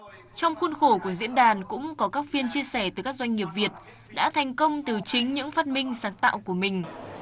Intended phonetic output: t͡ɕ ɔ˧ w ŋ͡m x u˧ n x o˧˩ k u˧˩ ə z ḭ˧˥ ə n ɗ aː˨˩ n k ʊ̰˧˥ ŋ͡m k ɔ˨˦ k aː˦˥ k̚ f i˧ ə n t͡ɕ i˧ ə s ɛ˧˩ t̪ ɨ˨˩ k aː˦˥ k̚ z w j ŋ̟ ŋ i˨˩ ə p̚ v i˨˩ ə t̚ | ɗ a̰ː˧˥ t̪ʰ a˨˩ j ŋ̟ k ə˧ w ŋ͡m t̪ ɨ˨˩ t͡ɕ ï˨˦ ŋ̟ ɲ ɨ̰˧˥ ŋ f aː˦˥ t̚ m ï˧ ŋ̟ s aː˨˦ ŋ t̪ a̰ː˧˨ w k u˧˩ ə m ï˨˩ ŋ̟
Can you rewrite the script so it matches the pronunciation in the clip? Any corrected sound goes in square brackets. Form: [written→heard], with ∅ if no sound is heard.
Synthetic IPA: t͡ɕ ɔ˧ w ŋ͡m x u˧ n x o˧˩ k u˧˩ ə z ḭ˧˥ ə n ɗ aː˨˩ n k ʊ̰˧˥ ŋ͡m k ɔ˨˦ k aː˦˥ k̚ f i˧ ə n t͡ɕ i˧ ə s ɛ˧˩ t̪ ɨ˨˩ k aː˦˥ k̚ z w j ŋ̟ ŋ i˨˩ ə p̚ v i˨˩ ə t̚ | ɗ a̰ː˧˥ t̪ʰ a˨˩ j ŋ̟ k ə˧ w ŋ͡m t̪ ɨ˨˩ t͡ɕ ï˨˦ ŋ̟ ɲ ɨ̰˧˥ ŋ f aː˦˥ t̚ m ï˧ ŋ̟ s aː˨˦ ŋ t̪ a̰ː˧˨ w k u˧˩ ə m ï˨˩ ŋ̟